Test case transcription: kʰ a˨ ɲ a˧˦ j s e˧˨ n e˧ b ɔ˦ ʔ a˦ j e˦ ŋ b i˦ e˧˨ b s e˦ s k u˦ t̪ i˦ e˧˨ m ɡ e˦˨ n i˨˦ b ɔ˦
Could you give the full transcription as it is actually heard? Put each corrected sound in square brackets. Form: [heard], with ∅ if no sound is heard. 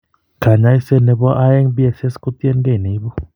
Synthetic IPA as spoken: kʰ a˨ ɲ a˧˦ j s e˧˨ n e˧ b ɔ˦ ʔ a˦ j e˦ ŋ b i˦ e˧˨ [∅] s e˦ s k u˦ t̪ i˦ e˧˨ [n] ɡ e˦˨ n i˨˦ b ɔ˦